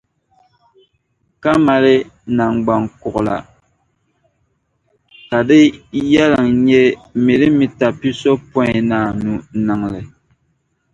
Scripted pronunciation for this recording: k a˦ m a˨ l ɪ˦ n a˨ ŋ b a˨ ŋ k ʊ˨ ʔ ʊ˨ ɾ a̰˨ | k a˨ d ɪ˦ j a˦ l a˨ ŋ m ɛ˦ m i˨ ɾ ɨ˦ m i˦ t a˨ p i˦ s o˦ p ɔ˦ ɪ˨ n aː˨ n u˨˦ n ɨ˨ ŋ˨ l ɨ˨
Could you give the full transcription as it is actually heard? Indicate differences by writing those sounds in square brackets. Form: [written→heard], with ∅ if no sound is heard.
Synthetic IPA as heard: k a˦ m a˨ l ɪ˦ n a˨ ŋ [b→ɡ͡b] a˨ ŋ k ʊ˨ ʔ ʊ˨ [ɾ→l] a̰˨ | k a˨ d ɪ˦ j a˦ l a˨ ŋ [m→ɲ] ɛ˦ m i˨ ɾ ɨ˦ m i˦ t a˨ p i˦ s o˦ p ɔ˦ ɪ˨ n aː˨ n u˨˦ n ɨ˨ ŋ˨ l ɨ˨